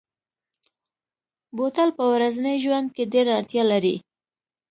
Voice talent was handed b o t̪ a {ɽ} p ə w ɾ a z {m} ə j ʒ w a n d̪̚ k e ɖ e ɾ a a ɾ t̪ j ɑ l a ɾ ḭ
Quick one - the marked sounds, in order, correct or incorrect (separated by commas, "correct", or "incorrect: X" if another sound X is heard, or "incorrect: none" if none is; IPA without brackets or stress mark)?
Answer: incorrect: l, incorrect: n